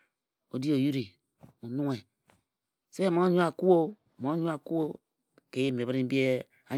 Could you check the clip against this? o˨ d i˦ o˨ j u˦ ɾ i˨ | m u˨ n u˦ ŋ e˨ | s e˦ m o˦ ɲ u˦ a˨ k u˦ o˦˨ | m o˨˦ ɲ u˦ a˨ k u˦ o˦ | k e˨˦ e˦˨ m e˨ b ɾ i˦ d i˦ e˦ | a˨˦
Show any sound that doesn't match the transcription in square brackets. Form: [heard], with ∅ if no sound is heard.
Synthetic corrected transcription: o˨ d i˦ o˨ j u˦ ɾ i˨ | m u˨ n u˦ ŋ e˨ | s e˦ m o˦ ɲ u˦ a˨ k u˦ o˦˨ | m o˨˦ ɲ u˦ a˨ k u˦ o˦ | k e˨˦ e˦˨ m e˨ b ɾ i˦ [b] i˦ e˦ | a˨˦